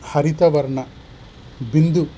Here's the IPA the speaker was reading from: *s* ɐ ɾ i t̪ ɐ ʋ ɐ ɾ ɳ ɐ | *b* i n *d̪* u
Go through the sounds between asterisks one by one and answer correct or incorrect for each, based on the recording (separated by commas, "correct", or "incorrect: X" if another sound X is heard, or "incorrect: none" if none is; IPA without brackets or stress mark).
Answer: incorrect: h, correct, correct